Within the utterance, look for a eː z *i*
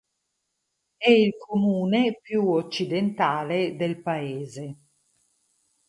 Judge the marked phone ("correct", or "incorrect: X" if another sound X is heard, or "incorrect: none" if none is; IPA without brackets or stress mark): incorrect: e